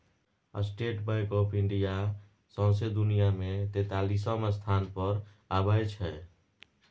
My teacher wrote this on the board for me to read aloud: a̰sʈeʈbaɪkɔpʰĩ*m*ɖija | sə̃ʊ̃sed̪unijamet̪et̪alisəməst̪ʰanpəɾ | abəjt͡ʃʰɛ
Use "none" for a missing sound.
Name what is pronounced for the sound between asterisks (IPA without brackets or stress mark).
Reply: ɳ